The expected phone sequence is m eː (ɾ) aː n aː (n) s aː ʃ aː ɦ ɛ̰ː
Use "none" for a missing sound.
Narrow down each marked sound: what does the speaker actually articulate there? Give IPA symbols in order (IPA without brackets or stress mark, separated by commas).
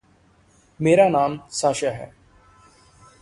ɾ, m